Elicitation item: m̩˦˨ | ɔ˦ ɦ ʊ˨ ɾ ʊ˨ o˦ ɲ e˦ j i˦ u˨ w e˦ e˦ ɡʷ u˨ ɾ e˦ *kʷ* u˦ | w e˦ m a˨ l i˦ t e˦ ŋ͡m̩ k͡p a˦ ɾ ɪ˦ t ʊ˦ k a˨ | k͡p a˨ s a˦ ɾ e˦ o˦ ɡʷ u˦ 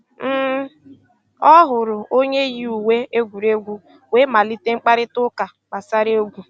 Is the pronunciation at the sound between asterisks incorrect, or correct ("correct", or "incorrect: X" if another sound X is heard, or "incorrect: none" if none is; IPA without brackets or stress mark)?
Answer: incorrect: ɡʷ